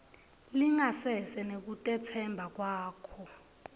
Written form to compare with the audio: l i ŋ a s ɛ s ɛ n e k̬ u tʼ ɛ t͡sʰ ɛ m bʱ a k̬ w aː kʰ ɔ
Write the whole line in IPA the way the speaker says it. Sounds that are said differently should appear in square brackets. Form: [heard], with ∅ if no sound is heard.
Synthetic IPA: l i ŋ a s ɛ s ɛ n e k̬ u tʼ ɛ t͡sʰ ɛ m bʱ a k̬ w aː kʰ ɔ

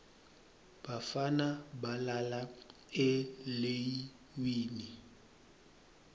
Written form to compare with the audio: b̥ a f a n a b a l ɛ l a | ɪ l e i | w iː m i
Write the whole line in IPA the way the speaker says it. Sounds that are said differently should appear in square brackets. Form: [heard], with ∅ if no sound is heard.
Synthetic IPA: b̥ a f a n a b a l [a] l a | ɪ l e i | w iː [n] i

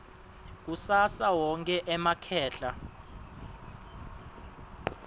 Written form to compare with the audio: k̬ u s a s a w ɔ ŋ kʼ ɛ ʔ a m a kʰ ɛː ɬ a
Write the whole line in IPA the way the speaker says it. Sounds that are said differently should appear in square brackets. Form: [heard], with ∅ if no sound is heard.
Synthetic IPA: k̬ u s a s a w ɔ ŋ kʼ ɛ ʔ [ɛ] m a kʰ ɛː ɬ a

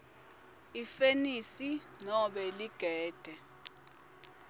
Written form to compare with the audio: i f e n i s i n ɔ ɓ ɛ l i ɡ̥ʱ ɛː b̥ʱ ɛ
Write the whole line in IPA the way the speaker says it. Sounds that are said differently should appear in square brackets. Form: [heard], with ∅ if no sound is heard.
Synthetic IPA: i f e n i s i n ɔ ɓ ɛ l i ɡ̥ʱ ɛː [d̥ʱ] ɛ

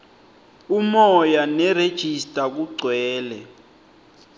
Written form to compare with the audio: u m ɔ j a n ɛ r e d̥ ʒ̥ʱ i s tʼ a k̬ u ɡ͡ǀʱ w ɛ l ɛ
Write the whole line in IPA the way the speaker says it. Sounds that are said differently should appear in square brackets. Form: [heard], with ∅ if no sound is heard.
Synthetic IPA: u m ɔ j a n ɛ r e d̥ ʒ̥ʱ i s tʼ a k̬ u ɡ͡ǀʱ w [ɛː] l ɛ

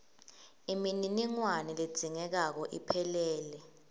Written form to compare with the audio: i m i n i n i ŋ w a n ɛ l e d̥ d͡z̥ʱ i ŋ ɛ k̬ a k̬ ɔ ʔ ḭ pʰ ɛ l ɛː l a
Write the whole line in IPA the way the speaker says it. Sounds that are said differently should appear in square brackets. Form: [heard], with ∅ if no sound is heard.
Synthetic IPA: i m i n i n i ŋ w a n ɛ l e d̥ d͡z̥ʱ i ŋ ɛ k̬ a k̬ ɔ ʔ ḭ pʰ ɛ l ɛː l [ɛ]

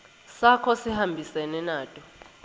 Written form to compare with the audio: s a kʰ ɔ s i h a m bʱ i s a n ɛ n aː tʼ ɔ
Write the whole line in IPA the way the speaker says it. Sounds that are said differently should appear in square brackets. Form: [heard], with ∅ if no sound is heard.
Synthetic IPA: s a kʰ ɔ s i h a m bʱ i s [ɛ] n ɛ n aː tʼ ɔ

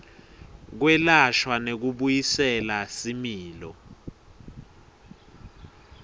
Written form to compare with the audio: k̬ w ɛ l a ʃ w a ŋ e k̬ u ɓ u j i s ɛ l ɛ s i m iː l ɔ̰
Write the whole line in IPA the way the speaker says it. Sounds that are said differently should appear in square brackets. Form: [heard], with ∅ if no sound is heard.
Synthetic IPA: k̬ w ɛ l a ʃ w a [n] e k̬ u ɓ u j i s ɛ l [a] s i m iː l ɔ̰

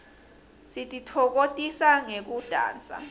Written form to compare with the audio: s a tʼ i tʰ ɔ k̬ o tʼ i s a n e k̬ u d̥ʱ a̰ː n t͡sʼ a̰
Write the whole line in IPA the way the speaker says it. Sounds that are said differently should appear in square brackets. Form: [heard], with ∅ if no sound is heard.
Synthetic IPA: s [i] tʼ i tʰ ɔ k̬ o tʼ i s a [ŋ] e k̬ u d̥ʱ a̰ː n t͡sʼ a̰

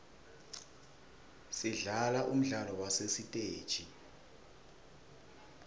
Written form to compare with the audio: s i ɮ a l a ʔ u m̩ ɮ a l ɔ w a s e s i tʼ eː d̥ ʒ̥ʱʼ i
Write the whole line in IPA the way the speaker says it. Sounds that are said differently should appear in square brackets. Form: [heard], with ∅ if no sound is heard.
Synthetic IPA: s i ɮ a l a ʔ u m̩ ɮ a l ɔ w a s e s i tʼ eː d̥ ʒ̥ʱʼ i

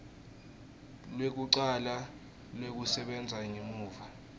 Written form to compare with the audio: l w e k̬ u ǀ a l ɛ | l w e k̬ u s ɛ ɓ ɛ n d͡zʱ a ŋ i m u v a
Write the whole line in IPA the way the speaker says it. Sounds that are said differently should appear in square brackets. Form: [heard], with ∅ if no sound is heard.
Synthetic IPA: l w e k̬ u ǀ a l [a] | l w e k̬ u s ɛ ɓ ɛ n d͡zʱ a ŋ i m [uː] v a

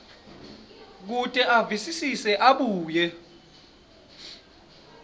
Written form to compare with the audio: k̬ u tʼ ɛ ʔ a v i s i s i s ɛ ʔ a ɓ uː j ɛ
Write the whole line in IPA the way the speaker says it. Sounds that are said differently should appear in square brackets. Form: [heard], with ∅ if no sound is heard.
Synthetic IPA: k̬ u tʼ ɛ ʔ a v i s i s i s ɛ ʔ a ɓ uː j ɛ

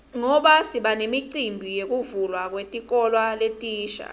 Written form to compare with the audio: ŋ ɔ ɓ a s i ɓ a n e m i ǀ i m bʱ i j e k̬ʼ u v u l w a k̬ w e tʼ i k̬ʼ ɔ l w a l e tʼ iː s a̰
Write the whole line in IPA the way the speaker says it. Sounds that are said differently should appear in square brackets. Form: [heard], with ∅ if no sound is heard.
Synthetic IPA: ŋ ɔ ɓ a s i ɓ a n e m i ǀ i m bʱ i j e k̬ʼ u v u l w a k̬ w e tʼ i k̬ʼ ɔ l w a l e tʼ iː [ʃ] a̰

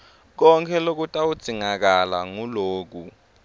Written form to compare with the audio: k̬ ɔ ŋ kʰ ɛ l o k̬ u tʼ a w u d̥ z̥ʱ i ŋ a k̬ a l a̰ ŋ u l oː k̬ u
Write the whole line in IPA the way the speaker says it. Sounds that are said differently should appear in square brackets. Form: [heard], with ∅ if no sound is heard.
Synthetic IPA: k̬ ɔ ŋ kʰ ɛ l o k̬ u tʼ a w u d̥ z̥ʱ i ŋ a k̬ a l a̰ ŋ u l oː k̬ u

